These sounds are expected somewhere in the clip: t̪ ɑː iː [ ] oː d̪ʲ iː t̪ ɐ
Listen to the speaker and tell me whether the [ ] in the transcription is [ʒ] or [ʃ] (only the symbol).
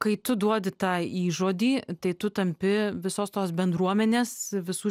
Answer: ʒ